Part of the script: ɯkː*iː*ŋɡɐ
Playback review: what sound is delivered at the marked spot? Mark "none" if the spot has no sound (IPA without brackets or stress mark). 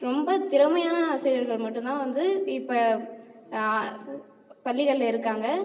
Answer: aː